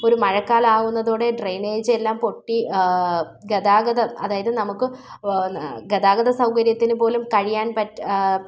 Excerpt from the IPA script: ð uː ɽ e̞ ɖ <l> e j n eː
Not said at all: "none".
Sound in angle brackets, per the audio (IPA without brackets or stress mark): r